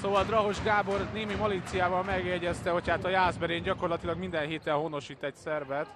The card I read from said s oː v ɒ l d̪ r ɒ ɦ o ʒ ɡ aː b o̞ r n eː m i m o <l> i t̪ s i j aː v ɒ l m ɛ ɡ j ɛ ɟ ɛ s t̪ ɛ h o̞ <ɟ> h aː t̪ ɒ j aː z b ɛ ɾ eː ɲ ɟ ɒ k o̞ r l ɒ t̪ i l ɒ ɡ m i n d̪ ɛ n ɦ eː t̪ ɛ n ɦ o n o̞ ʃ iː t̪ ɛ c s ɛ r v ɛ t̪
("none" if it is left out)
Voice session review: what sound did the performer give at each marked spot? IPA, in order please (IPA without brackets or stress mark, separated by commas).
l, c